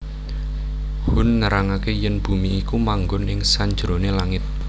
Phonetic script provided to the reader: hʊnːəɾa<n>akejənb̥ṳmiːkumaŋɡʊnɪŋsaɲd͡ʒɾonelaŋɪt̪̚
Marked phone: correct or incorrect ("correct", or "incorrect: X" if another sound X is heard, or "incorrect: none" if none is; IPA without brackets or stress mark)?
incorrect: ŋ